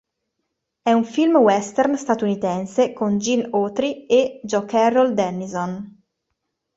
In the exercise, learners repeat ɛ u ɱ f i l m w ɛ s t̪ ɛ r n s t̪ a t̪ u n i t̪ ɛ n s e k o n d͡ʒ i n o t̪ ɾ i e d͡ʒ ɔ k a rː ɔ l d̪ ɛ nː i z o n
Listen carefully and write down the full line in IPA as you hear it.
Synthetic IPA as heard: ɛ u ɱ f i l m w ɛ s t̪ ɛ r n s t̪ a t̪ u n i t̪ ɛ n s e k o n d͡ʒ i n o t̪ ɾ i e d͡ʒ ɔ k ɛ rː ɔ l d̪ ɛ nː i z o n